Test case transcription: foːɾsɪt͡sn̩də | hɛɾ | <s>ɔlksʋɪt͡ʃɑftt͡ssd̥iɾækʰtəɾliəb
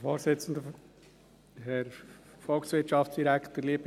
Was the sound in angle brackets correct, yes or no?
no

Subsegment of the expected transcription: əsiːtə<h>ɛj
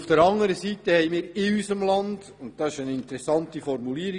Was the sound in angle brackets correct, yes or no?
yes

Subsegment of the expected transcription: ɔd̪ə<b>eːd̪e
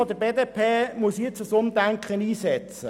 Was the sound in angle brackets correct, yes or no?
yes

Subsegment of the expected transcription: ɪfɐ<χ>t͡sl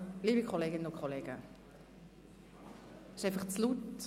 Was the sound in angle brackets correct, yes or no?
yes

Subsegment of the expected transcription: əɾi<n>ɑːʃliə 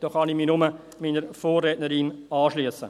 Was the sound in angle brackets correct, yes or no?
yes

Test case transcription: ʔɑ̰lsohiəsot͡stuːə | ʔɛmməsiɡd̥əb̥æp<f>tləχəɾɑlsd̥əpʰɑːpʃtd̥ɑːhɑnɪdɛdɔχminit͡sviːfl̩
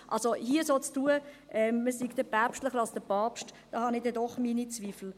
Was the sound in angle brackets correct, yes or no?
no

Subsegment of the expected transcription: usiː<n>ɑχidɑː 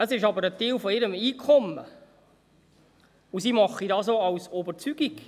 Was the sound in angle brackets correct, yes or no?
no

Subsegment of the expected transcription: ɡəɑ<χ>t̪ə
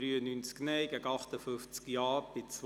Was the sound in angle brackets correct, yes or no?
yes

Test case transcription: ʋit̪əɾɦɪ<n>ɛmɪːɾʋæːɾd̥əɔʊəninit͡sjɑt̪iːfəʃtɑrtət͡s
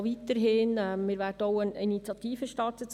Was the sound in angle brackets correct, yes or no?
yes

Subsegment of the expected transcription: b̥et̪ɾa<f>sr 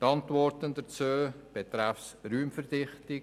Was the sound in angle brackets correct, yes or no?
yes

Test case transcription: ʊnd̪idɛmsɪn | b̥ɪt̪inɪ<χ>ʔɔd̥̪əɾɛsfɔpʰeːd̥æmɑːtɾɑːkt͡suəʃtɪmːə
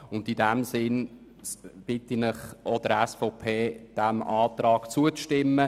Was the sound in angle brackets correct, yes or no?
yes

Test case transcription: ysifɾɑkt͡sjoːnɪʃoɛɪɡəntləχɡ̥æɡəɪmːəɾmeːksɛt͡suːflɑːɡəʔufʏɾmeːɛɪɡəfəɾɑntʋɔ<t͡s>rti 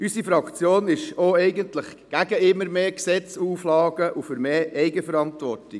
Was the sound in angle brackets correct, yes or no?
no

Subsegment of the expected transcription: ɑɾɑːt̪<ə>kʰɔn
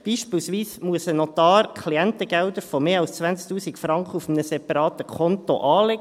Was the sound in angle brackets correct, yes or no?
yes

